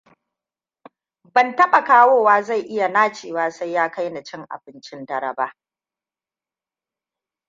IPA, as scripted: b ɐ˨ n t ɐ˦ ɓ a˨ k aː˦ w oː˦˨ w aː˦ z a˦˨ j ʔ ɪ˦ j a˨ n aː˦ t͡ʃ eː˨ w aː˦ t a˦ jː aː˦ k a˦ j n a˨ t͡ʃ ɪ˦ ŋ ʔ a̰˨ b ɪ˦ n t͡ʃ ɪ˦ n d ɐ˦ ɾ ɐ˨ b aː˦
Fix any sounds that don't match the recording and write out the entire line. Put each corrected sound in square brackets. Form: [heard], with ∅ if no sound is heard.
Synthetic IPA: b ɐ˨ n t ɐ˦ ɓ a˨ k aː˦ w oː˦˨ w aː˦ z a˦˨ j ʔ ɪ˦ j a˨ n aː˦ t͡ʃ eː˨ w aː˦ [s] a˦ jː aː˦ k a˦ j n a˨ t͡ʃ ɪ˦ ŋ ʔ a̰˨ b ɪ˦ n t͡ʃ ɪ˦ n d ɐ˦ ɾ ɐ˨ b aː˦